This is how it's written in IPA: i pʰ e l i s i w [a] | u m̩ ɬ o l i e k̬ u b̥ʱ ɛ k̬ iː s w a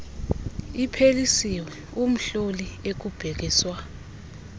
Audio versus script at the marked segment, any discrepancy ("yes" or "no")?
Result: yes